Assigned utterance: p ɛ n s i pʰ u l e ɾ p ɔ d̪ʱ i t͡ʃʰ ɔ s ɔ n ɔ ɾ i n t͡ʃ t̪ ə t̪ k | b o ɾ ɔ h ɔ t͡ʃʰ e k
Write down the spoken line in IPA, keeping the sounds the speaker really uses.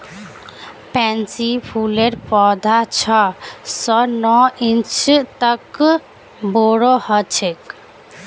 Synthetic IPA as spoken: p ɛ n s i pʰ u l e ɾ p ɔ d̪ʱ a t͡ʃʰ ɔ s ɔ n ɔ i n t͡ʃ t̪ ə k | b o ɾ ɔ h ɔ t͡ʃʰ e k